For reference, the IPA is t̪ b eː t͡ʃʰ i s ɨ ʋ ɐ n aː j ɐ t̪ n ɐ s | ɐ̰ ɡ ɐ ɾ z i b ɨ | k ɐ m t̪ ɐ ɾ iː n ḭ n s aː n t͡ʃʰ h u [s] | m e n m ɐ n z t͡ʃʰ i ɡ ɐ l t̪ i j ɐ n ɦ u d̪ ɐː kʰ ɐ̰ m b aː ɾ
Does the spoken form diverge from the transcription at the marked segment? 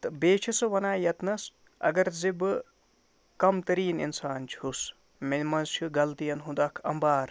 no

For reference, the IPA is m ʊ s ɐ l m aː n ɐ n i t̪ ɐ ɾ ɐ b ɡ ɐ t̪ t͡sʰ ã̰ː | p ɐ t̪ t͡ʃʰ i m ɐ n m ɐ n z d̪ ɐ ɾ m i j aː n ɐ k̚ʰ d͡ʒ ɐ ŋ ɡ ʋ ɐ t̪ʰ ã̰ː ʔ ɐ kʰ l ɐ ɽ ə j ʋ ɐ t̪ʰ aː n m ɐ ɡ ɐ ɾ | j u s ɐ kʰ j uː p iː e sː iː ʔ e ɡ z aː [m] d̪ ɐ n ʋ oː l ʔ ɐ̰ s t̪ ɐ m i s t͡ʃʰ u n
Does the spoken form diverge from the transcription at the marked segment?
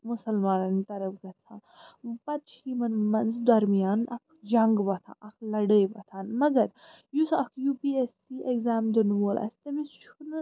no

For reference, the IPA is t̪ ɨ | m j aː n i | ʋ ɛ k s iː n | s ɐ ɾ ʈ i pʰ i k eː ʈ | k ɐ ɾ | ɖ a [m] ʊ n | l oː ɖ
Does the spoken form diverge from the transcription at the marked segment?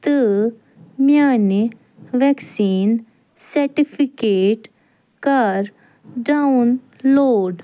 yes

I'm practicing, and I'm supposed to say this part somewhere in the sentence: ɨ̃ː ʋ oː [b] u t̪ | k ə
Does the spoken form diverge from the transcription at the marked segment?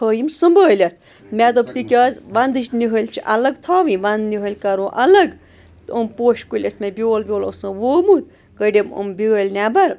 yes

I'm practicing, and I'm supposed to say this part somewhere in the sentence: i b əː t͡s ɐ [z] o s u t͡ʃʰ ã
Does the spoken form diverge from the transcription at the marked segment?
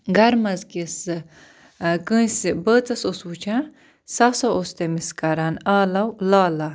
yes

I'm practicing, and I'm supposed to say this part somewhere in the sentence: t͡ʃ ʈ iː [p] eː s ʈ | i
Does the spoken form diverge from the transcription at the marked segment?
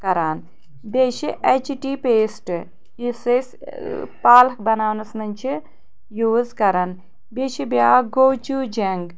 no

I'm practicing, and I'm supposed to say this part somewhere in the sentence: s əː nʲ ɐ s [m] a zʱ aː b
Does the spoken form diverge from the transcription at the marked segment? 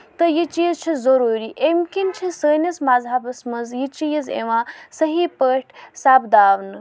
no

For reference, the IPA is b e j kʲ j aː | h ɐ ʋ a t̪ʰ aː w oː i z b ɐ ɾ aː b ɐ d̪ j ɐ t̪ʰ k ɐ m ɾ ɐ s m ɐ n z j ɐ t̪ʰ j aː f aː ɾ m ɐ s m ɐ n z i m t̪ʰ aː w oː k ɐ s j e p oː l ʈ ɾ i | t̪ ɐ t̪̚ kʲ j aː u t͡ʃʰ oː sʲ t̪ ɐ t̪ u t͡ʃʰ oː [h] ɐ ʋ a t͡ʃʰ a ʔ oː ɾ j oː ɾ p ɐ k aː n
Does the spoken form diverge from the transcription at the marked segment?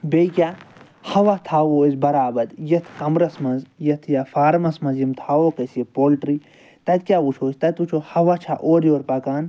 no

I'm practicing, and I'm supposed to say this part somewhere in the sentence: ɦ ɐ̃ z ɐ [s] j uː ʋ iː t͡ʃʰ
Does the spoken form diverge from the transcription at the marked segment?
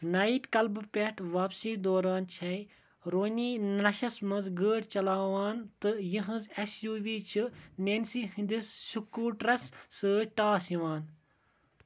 no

